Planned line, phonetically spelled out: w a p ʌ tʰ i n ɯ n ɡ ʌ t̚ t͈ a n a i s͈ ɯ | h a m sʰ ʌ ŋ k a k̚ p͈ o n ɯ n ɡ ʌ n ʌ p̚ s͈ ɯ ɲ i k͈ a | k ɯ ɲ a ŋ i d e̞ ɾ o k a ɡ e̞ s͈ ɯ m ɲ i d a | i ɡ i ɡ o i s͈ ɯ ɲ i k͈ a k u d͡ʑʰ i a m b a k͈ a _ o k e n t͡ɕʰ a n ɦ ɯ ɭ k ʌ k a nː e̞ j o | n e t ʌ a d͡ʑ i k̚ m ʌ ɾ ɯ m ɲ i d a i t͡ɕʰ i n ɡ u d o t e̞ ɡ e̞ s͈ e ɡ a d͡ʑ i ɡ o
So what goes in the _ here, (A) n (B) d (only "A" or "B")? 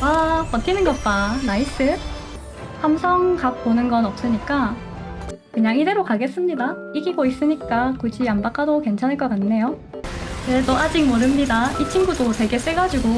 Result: B